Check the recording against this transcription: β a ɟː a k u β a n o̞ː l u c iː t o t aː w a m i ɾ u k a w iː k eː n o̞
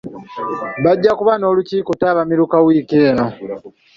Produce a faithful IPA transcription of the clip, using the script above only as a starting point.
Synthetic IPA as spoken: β a ɟː a k u β a n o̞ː l u c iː k o t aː β a m i ɾ u k a w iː k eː n o̞